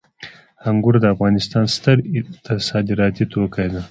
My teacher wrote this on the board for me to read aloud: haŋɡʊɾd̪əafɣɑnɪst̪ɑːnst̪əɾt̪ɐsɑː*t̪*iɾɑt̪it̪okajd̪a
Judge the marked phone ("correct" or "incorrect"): incorrect